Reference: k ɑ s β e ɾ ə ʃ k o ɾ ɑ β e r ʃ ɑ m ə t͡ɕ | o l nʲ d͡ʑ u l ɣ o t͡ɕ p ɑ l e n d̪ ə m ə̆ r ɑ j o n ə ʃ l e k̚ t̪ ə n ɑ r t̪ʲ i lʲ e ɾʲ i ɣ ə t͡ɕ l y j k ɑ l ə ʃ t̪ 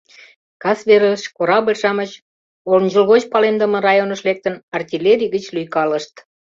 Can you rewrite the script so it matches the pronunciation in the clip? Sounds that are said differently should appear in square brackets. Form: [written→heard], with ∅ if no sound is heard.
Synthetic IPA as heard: k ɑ s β e ɾ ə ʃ k o ɾ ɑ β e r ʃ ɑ m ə t͡ɕ | o l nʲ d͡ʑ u l ɣ o t͡ɕ p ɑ l e n d̪ ə m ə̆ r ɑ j o n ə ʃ l e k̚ t̪ ə n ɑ r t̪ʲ i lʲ e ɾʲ i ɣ ə t͡ɕ l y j k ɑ l ə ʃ t̪